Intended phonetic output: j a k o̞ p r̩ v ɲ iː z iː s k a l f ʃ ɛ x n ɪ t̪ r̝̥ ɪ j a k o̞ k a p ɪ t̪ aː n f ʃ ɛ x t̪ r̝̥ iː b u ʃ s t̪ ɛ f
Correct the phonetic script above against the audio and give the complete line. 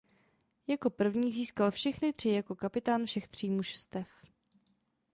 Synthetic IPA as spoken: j a k o̞ p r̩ v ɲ iː z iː s k a l f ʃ ɛ x n ɪ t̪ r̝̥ ɪ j a k o̞ k a p ɪ t̪ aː n f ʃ ɛ x t̪ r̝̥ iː m u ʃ s t̪ ɛ f